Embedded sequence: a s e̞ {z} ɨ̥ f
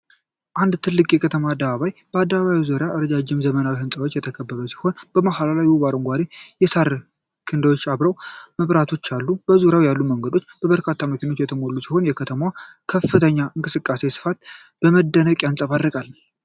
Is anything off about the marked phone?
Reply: yes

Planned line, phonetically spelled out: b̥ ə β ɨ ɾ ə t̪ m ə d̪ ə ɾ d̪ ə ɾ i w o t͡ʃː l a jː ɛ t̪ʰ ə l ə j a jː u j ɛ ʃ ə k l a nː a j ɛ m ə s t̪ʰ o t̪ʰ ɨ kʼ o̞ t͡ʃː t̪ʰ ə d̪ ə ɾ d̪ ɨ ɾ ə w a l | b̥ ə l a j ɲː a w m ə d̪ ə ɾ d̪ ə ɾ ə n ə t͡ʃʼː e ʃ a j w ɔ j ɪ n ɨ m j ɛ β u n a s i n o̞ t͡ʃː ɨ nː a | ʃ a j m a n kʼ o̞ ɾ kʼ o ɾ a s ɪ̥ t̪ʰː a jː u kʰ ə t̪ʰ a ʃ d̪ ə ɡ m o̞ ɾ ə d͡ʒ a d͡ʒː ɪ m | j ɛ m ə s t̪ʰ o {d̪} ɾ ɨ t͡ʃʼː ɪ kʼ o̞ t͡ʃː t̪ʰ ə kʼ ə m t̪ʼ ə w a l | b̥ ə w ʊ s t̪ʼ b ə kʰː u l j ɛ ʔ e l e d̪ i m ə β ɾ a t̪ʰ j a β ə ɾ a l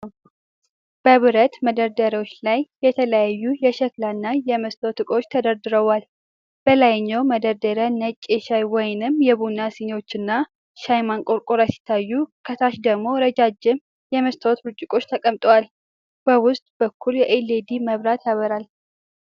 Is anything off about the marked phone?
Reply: yes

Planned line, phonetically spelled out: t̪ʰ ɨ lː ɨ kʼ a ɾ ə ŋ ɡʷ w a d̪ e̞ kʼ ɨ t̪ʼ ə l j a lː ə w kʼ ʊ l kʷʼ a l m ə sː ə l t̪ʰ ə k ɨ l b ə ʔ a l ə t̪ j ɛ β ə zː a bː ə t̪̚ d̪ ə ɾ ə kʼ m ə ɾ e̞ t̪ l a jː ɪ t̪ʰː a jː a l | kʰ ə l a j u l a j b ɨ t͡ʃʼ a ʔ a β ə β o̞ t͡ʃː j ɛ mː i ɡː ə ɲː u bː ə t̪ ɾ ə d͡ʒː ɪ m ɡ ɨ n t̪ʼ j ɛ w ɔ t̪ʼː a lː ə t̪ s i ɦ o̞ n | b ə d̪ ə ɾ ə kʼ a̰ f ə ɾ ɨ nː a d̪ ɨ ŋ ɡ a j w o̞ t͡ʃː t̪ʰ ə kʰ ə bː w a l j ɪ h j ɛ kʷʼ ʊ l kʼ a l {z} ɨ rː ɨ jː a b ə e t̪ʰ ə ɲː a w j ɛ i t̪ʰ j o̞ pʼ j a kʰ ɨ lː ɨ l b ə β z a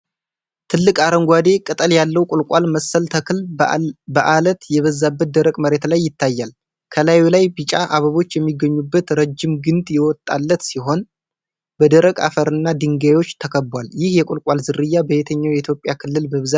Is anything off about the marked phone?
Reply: no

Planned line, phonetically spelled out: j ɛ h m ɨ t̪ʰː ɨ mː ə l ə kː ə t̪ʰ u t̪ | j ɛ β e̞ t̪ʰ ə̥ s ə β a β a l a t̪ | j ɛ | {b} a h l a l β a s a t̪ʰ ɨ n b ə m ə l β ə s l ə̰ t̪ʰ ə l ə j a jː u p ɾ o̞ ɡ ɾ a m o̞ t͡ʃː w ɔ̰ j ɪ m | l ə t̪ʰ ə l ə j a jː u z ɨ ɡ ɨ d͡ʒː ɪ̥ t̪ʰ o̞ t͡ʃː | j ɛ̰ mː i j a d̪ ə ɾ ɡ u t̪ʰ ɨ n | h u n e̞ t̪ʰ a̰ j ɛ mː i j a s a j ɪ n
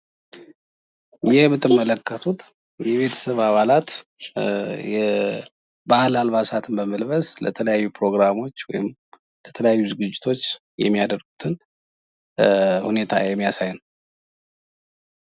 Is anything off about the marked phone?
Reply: no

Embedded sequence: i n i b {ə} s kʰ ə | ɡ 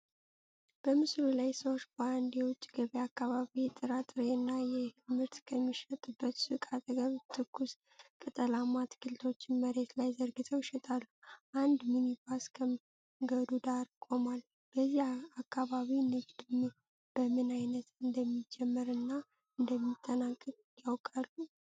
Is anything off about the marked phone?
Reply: yes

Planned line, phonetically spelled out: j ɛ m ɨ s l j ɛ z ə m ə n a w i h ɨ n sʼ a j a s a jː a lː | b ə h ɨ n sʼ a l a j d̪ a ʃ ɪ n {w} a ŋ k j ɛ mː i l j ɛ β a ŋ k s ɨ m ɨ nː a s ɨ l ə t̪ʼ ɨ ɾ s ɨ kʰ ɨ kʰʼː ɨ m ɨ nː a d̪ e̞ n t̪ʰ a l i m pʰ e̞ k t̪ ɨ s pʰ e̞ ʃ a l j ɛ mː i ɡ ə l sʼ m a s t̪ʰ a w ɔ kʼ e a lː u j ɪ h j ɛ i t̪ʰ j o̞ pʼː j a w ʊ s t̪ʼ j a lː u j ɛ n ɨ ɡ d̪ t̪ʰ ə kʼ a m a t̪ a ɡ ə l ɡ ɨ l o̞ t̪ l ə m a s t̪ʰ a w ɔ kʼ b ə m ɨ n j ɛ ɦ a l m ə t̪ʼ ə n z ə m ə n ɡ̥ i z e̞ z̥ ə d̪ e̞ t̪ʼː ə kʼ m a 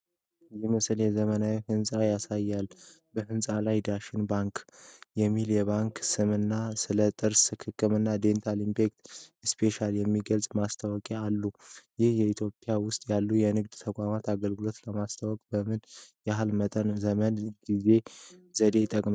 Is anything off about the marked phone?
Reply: yes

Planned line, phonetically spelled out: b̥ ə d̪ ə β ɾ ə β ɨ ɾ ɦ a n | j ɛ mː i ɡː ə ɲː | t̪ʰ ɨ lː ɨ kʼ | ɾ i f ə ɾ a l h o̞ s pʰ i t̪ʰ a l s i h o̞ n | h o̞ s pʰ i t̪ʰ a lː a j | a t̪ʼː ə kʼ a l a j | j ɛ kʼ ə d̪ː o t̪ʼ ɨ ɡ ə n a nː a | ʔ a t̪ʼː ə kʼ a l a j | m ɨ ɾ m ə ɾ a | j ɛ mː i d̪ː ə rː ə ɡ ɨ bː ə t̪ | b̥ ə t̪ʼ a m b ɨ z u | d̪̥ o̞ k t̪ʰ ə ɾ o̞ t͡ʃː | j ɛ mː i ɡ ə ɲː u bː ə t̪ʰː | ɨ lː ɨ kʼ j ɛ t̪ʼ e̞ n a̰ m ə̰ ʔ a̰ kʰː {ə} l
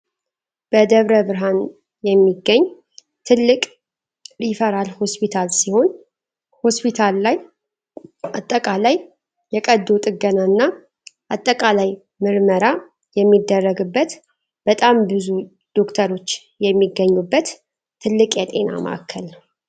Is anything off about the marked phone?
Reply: no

